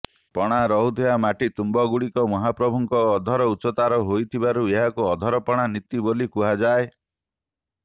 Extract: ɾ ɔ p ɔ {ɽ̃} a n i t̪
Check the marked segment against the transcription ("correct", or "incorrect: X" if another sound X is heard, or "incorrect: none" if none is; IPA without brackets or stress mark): correct